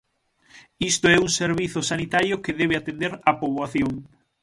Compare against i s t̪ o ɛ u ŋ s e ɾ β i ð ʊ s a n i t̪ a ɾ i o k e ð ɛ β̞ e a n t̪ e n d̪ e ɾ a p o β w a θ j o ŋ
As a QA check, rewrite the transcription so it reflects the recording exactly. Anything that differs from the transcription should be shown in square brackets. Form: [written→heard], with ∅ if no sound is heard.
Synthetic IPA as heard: i s t̪ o ɛ u ŋ s e ɾ β i [ð→θ] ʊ s a n i t̪ a ɾ [i→j] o k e ð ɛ β̞ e a [n→∅] t̪ e n d̪ e ɾ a p o β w a θ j o ŋ